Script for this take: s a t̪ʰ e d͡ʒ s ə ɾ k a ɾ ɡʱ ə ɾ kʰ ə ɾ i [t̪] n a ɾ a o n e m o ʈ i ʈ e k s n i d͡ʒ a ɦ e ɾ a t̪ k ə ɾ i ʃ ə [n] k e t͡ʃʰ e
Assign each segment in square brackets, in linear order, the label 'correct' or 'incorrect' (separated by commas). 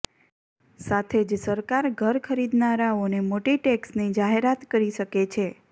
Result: incorrect, incorrect